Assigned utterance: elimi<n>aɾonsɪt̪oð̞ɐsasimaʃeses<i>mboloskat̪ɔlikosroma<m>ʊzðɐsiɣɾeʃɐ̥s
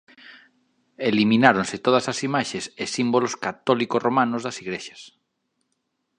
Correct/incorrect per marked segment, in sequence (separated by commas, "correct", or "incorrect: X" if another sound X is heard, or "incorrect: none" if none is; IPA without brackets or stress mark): correct, correct, incorrect: n